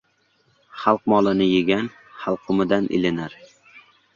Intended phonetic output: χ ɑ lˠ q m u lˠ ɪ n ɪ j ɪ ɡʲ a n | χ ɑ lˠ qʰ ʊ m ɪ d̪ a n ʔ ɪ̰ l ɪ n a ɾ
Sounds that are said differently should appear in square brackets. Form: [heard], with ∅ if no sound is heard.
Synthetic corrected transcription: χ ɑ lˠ q m [ɒ] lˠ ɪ n ɪ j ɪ ɡʲ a n | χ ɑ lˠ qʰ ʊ m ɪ d̪ a n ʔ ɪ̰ l ɪ n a ɾ